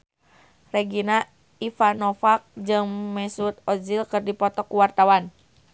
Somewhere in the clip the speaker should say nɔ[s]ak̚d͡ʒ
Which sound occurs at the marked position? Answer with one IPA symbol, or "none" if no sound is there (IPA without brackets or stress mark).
f